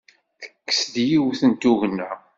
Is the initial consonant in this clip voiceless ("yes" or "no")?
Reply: yes